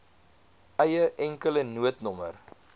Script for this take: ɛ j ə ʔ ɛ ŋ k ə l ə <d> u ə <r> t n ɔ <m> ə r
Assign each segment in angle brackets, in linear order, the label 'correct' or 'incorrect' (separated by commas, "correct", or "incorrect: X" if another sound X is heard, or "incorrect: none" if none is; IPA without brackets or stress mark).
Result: incorrect: n, incorrect: none, correct